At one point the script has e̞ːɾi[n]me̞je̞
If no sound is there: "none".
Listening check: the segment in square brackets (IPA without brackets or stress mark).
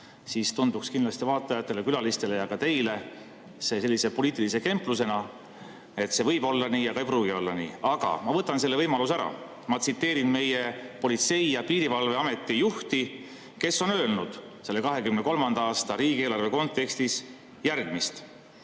n